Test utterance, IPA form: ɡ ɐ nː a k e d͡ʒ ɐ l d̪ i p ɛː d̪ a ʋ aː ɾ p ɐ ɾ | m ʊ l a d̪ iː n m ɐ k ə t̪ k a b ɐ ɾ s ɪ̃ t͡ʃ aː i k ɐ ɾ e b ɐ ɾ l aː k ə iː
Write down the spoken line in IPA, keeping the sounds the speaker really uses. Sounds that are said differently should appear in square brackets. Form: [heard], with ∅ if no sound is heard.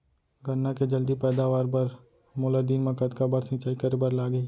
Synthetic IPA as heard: ɡ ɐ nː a k e d͡ʒ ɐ l d̪ i p ɛː d̪ a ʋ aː ɾ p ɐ ɾ | m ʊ l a d̪ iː n m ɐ k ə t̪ k a b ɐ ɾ s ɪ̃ t͡ʃ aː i k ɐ ɾ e b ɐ ɾ l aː [ɡ] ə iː